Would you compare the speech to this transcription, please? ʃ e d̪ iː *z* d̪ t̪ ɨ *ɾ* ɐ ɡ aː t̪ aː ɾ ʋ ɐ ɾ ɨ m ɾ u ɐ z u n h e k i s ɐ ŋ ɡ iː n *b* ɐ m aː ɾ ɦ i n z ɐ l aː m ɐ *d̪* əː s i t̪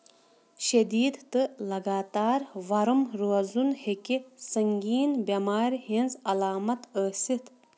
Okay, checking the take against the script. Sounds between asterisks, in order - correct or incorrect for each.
incorrect, incorrect, correct, incorrect

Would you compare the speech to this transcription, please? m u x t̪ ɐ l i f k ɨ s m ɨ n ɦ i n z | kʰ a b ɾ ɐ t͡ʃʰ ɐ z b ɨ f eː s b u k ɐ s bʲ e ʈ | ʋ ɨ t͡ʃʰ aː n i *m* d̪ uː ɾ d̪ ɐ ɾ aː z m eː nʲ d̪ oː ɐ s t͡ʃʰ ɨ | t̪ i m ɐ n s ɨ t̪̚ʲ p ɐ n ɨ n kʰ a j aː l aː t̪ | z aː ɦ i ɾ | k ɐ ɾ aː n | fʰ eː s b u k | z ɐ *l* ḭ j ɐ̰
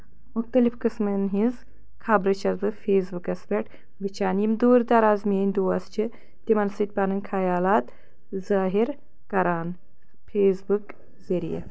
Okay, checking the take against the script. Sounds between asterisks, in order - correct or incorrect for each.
correct, incorrect

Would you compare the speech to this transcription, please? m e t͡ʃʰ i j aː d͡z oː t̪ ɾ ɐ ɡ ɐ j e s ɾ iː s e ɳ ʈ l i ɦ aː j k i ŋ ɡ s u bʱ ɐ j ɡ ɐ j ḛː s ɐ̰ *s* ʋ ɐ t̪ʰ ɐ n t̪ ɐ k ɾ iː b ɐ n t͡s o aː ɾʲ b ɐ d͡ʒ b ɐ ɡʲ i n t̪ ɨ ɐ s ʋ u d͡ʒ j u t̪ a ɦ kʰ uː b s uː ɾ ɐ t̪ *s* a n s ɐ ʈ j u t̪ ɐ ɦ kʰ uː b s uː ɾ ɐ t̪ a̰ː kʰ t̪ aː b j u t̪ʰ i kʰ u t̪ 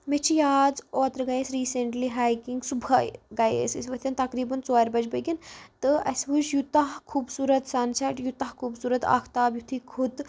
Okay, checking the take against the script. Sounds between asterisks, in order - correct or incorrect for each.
correct, correct

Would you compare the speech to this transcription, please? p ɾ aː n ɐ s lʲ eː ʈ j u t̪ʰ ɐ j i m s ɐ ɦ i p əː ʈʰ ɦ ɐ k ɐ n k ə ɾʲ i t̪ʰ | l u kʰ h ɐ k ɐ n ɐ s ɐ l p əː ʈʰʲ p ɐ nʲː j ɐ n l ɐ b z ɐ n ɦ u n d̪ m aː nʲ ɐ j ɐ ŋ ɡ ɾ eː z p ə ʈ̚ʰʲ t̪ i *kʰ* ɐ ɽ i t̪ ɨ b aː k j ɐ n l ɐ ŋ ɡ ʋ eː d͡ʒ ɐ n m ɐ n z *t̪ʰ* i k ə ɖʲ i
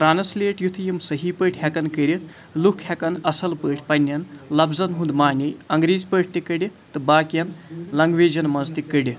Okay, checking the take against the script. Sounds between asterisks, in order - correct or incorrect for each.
incorrect, incorrect

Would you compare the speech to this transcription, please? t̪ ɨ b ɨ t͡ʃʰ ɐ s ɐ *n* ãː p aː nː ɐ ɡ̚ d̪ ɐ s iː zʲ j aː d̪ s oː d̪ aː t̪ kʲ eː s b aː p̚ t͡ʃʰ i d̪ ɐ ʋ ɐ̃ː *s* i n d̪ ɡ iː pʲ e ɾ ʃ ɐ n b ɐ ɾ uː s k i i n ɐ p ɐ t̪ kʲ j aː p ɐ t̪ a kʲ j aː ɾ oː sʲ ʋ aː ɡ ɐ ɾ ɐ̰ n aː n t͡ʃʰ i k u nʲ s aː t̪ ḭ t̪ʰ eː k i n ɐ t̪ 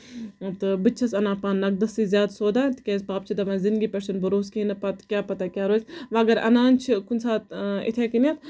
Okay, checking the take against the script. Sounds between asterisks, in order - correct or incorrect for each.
correct, incorrect

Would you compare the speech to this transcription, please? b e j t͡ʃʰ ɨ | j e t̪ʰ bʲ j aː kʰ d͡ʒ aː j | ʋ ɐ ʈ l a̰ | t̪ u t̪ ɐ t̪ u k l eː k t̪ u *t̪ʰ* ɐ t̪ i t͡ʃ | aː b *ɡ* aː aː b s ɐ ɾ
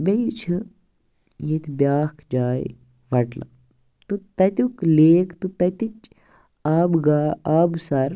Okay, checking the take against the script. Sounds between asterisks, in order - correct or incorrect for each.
incorrect, correct

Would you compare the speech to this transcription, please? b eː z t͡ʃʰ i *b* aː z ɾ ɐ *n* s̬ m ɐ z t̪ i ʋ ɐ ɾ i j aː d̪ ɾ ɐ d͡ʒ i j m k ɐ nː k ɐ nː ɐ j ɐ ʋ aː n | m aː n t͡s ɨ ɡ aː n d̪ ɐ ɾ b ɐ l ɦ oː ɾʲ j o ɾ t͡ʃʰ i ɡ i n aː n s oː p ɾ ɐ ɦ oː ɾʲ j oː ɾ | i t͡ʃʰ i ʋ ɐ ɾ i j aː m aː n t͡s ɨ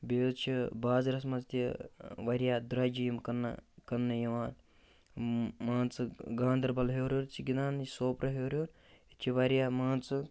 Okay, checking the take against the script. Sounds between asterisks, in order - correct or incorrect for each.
correct, incorrect

